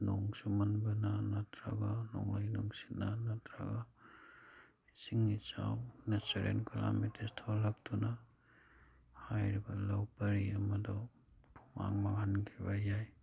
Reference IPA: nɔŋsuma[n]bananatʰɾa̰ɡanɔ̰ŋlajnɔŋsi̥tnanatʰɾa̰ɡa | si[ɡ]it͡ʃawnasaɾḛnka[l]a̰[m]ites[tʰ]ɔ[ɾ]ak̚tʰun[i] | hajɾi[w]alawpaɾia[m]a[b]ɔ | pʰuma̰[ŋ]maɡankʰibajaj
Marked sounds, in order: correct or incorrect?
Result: correct, incorrect, correct, correct, correct, incorrect, incorrect, incorrect, correct, incorrect, correct

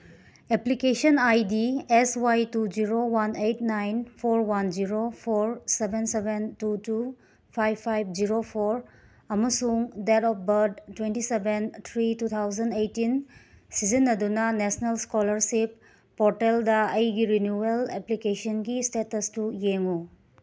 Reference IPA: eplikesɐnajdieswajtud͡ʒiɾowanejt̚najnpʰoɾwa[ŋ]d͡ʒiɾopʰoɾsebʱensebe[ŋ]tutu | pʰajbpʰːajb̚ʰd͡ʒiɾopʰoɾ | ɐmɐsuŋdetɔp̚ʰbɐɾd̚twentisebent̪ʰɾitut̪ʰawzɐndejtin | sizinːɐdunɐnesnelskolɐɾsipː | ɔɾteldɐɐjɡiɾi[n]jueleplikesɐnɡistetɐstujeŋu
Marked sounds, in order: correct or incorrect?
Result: incorrect, incorrect, correct

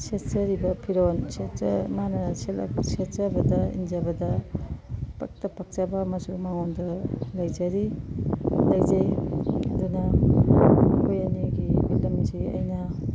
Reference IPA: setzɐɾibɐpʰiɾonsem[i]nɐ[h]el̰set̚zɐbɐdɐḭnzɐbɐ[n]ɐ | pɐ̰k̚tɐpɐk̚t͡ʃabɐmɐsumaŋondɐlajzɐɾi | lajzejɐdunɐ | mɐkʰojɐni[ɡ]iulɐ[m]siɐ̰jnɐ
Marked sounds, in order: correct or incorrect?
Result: incorrect, incorrect, incorrect, correct, correct

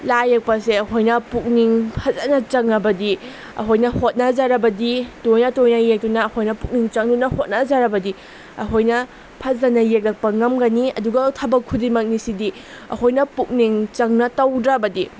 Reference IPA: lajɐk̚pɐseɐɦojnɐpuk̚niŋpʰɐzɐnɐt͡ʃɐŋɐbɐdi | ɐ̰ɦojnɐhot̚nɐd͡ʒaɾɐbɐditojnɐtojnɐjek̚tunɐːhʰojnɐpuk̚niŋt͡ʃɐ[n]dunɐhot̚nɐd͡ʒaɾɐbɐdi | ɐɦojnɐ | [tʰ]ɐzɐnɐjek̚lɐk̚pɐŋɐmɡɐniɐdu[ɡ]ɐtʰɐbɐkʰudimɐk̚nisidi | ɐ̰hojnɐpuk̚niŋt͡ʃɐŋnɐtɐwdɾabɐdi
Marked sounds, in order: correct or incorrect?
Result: incorrect, incorrect, correct

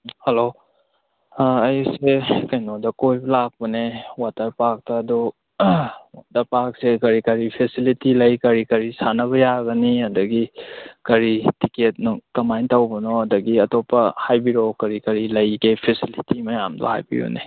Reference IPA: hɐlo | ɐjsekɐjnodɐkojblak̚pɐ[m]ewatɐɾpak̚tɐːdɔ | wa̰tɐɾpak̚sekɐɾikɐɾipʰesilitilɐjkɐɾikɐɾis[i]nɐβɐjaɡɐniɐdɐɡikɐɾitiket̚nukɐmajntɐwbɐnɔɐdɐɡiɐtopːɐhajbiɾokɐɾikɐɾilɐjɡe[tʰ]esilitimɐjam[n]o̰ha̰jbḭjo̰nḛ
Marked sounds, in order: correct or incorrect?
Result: incorrect, incorrect, incorrect, incorrect

